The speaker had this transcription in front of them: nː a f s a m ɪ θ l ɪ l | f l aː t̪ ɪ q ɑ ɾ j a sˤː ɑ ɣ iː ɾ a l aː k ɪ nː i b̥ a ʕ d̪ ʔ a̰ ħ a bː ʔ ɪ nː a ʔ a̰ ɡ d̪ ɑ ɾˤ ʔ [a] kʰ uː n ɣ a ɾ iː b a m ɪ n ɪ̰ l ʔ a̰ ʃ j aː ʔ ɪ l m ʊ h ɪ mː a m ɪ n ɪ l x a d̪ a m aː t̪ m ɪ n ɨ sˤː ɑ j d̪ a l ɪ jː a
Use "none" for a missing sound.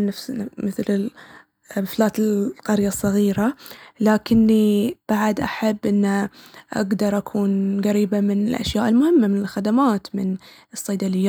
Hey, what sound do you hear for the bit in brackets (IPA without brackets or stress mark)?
a